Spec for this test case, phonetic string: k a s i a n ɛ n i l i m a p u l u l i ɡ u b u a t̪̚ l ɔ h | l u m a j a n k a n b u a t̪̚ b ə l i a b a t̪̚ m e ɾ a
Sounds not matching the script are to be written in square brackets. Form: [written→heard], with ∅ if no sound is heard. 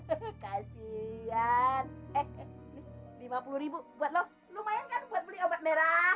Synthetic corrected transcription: k a s i a n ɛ n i l i m a p u l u [l→ɾ] i [ɡ→b] u b u a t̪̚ l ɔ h | l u m a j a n k a n b u a t̪̚ b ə l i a b a t̪̚ m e ɾ a